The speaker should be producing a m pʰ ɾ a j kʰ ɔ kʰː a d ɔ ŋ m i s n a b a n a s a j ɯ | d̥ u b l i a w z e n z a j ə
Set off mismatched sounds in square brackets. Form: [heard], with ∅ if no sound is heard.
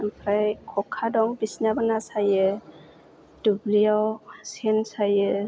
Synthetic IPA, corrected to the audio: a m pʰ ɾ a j kʰ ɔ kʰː a d ɔ ŋ [b] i s n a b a n a s a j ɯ | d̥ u b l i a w [s] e n [s] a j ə